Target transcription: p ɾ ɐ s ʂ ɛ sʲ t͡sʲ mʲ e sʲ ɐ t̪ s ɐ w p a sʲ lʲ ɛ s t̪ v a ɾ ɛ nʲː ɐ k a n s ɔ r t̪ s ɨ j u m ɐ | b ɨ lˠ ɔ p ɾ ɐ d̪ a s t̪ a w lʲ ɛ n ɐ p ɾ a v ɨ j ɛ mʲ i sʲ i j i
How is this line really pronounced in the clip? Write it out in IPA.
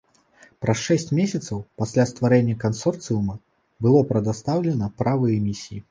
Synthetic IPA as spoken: p ɾ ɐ s ʂ ɛ sʲ t͡sʲ mʲ e sʲ ɐ t̪ s ɐ w p a sʲ lʲ a s t̪ v a ɾ ɛ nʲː ɐ k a n s ɔ r t̪ s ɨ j u m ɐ | b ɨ lˠ ɔ p ɾ ɐ d̪ a s t̪ a w lʲ ɛ n ɐ p ɾ a v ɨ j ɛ mʲ i sʲ i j i